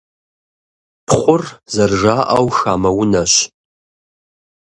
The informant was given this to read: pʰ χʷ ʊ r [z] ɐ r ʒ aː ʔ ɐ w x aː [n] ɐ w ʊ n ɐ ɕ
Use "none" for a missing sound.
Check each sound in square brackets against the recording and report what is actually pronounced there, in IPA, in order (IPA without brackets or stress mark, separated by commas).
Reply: z, m